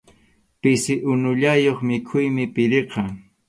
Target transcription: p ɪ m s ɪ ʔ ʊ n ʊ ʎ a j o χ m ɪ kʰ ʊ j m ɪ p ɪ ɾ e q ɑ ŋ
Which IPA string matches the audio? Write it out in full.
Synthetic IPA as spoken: p ɪ s ɪ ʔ ʊ n ʊ ʎ a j o χ m ɪ kʰ ʊ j m ɪ p ɪ ɾ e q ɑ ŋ